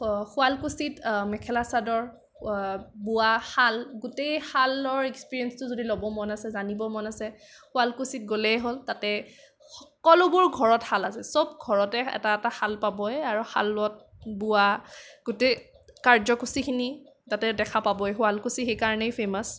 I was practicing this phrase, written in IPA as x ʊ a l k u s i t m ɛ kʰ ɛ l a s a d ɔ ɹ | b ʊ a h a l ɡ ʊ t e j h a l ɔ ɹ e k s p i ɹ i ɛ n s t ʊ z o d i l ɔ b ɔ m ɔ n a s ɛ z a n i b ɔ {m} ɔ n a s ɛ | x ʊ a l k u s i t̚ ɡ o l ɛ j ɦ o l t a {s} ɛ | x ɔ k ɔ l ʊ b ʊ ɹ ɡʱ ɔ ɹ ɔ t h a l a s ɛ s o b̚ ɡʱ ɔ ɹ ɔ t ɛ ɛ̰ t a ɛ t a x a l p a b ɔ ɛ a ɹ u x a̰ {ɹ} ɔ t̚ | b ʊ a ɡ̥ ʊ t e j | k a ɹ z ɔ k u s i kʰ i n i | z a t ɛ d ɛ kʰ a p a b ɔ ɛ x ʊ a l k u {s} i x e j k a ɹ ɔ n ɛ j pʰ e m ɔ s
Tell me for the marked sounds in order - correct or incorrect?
correct, incorrect, incorrect, correct

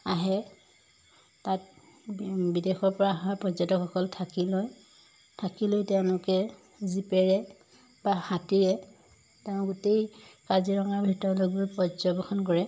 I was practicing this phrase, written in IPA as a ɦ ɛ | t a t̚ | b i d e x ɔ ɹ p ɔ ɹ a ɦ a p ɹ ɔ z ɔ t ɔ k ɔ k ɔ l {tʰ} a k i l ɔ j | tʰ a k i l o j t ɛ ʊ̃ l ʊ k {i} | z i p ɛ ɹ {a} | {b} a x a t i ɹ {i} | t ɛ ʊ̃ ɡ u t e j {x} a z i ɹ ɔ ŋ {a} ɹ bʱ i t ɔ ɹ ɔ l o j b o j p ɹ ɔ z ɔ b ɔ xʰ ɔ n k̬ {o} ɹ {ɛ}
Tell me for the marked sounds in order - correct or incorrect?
correct, incorrect, incorrect, correct, incorrect, incorrect, correct, incorrect, correct

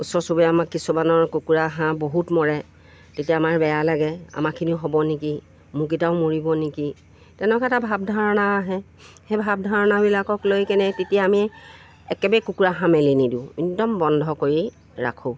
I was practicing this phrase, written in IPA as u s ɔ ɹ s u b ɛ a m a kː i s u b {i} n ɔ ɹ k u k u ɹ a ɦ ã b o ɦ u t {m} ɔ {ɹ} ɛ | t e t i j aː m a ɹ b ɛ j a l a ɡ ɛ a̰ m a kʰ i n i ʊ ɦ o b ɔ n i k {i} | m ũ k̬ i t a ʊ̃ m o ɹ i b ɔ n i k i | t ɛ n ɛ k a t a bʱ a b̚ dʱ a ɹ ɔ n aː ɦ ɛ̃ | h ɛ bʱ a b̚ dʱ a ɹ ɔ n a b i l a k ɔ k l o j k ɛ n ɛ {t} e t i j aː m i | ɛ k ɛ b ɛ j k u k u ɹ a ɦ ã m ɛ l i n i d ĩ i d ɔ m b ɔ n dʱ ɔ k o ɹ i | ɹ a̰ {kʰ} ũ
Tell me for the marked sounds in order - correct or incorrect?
incorrect, correct, correct, correct, correct, correct

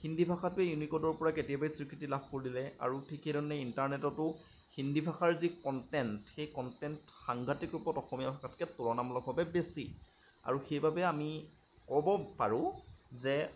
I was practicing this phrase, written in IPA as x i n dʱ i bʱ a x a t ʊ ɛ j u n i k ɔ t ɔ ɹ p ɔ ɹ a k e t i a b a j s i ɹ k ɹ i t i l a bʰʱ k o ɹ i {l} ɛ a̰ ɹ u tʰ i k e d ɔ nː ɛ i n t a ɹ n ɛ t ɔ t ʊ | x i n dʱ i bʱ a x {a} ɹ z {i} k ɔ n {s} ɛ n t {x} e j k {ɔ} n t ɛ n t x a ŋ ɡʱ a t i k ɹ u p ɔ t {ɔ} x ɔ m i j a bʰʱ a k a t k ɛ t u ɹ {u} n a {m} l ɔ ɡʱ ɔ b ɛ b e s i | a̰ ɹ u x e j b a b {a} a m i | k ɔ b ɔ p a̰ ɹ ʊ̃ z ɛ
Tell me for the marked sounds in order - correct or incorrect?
correct, correct, correct, incorrect, correct, correct, correct, incorrect, correct, incorrect

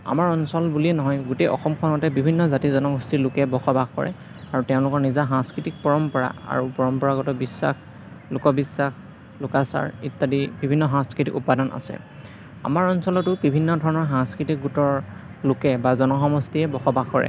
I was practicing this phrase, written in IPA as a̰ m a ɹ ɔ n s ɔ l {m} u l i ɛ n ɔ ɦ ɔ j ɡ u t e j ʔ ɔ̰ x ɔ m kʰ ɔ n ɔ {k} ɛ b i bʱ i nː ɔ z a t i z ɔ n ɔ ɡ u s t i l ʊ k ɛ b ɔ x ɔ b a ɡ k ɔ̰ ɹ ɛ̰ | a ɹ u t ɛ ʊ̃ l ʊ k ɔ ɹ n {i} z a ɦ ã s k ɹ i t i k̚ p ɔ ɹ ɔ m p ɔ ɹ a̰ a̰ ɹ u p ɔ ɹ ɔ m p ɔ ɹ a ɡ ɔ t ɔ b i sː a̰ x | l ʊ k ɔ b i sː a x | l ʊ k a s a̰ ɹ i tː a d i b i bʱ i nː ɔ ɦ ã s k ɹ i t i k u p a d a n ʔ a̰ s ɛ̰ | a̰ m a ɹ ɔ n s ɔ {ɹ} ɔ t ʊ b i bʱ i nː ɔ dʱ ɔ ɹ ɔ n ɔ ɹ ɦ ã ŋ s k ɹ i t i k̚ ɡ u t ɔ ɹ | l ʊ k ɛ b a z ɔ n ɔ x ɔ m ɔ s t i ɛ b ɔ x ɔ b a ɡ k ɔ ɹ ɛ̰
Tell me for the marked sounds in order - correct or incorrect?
incorrect, incorrect, correct, incorrect

